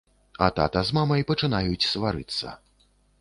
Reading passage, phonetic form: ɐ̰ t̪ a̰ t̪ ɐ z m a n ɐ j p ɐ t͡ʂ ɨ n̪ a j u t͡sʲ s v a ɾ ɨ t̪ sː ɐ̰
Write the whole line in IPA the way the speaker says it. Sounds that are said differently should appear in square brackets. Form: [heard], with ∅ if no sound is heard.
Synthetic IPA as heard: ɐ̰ t̪ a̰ t̪ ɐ z m a [m] ɐ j p ɐ t͡ʂ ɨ n̪ a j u t͡sʲ s v a ɾ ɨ t̪ sː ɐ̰